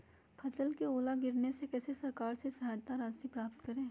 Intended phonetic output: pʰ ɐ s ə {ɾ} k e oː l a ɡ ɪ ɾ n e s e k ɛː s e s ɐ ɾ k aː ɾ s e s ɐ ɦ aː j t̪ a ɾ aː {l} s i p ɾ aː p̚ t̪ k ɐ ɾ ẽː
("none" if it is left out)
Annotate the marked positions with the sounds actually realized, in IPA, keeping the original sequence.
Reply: l, none

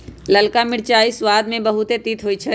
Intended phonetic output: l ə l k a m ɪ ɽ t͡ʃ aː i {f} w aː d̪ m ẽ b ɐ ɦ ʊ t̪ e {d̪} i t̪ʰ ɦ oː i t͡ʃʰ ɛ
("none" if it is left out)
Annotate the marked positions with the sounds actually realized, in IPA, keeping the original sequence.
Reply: s, t̪

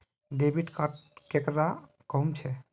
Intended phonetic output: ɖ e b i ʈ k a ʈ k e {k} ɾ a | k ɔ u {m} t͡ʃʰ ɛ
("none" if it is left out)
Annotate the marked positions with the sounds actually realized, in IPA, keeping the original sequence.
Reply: k, m

